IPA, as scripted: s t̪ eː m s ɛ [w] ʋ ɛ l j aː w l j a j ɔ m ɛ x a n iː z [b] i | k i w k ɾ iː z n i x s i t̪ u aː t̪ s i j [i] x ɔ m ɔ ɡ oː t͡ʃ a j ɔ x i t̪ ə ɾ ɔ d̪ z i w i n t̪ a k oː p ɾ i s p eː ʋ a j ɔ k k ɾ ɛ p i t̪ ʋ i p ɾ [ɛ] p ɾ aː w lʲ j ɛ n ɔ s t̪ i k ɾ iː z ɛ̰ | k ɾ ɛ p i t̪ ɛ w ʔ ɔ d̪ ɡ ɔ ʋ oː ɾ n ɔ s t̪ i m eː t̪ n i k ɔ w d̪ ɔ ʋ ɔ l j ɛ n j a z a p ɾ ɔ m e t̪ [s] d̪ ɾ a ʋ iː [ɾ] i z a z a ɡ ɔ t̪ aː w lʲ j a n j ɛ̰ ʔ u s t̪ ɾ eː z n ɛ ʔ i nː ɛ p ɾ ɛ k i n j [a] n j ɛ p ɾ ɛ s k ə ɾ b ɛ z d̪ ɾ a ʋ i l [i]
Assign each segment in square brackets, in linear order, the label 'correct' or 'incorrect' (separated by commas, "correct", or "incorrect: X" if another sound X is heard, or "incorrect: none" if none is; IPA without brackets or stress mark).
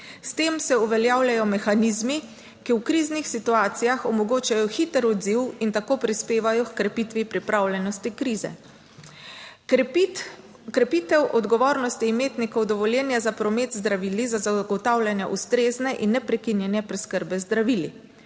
incorrect: u, incorrect: m, incorrect: a, incorrect: i, incorrect: z, incorrect: l, incorrect: ɛ, correct